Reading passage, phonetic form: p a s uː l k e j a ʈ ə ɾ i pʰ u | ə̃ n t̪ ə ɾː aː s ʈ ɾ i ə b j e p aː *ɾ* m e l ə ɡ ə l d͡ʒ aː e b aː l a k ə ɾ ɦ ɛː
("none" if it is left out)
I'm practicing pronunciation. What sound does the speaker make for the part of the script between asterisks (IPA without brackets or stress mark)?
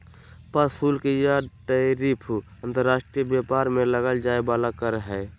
ɾ